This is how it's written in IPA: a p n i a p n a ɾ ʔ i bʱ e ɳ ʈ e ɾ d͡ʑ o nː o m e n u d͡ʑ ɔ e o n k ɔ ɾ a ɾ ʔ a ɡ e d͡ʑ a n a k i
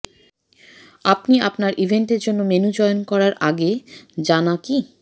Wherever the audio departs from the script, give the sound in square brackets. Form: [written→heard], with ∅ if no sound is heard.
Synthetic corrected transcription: a p n i a p n a ɾ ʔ i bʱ e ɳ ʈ e ɾ d͡ʑ o nː o m e n u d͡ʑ ɔ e o n k ɔ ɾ a ɾ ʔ a ɡ e d͡ʑ a n a k i